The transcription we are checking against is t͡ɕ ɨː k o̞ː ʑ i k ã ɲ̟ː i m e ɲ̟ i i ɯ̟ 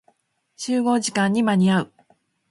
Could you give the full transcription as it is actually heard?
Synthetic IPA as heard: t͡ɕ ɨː ɡ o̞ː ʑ i k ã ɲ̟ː i m a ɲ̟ i a ɯ̟